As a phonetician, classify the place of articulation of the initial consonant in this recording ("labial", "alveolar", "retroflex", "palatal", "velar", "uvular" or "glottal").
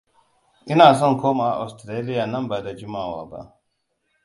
glottal